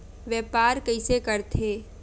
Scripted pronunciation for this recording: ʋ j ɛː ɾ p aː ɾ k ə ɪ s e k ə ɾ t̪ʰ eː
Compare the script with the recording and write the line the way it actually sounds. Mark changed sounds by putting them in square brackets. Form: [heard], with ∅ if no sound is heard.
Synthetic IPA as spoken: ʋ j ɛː [∅] p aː ɾ k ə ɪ s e k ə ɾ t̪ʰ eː